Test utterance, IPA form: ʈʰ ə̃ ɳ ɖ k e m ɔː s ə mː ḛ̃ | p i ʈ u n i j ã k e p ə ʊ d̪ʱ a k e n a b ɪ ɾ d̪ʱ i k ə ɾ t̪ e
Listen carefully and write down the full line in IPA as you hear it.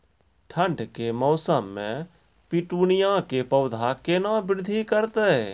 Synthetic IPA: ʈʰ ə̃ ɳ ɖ k e m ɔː s ə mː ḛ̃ | p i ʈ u n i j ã k e p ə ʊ d̪ʱ a k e n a b ɪ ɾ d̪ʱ i k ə ɾ t̪ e